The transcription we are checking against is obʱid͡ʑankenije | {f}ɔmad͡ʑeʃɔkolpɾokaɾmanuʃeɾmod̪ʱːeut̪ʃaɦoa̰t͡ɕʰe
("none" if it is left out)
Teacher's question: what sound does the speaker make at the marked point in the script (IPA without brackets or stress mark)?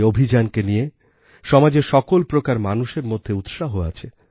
ʃ